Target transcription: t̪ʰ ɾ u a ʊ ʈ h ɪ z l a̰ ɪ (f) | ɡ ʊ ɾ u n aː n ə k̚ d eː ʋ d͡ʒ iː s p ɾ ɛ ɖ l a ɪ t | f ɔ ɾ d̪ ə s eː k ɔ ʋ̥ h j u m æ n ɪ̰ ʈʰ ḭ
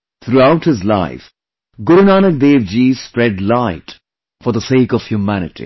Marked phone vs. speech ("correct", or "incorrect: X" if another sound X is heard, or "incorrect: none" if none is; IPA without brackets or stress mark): correct